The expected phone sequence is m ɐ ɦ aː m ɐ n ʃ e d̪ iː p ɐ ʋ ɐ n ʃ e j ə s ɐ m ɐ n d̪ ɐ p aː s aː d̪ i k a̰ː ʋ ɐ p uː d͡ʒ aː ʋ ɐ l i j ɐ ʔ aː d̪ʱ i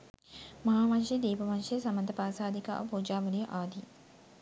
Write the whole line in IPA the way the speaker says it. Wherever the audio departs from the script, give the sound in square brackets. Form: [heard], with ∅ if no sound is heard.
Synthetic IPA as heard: m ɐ ɦ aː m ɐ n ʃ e d̪ iː p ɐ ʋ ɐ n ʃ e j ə s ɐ m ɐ n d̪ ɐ p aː s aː d̪ i k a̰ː ʋ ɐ p uː d͡ʒ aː ʋ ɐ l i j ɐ ʔ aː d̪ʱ i